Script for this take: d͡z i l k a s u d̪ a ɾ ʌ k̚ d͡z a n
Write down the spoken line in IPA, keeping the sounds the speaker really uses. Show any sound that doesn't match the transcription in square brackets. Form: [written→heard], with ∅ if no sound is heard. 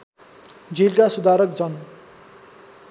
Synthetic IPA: d͡z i l k a s u d̪ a ɾ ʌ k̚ d͡z [a→ʌ] n